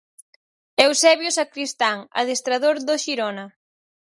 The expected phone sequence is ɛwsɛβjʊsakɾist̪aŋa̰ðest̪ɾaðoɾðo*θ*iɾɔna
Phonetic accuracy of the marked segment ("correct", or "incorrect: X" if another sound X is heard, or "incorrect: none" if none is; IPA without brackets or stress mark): incorrect: ʃ